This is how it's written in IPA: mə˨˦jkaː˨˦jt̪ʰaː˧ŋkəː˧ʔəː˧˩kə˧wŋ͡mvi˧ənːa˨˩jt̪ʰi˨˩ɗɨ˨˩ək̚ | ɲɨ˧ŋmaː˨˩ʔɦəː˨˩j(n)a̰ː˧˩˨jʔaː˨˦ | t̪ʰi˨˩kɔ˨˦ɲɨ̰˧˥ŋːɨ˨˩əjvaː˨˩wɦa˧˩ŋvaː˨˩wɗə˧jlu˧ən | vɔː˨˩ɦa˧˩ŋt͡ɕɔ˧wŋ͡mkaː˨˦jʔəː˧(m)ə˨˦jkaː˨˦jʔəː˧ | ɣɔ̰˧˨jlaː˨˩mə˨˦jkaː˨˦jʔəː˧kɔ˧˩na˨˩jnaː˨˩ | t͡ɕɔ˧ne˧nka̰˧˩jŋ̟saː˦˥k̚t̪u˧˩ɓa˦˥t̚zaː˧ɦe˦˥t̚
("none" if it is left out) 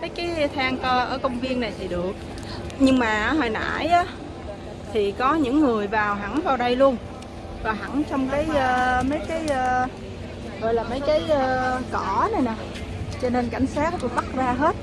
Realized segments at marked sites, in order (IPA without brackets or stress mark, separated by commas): n, m